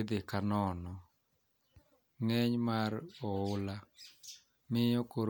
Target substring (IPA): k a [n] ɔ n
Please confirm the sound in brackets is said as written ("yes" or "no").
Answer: yes